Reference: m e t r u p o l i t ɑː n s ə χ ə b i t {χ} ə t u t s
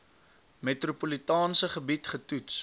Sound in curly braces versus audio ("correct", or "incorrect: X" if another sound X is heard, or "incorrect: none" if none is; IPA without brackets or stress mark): correct